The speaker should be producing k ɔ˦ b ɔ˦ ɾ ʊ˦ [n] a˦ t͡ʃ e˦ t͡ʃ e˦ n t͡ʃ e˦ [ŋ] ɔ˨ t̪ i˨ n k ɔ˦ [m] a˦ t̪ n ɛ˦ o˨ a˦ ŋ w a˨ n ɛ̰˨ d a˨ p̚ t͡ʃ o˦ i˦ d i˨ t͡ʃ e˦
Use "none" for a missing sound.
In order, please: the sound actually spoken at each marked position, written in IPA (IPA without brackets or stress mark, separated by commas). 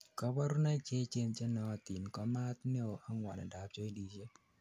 n, n, m